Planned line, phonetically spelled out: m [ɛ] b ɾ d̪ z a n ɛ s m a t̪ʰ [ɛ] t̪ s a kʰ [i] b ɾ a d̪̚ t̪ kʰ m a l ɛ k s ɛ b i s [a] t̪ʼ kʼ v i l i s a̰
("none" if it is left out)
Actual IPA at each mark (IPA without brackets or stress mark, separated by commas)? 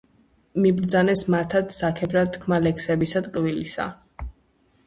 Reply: i, a, ɛ, a